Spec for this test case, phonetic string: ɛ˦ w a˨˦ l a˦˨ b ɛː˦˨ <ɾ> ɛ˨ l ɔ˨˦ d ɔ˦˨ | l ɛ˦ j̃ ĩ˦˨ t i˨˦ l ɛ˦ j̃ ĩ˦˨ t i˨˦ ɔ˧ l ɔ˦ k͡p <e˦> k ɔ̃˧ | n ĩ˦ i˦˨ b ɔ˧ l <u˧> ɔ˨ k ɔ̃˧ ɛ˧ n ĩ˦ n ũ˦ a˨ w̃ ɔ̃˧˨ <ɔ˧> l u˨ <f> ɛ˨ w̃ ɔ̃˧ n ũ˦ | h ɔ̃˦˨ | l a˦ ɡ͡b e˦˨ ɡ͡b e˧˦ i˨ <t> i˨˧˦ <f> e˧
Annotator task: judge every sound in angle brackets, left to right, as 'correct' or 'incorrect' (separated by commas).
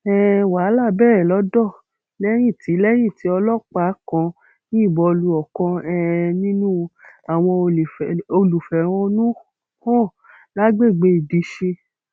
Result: correct, incorrect, correct, incorrect, correct, incorrect, incorrect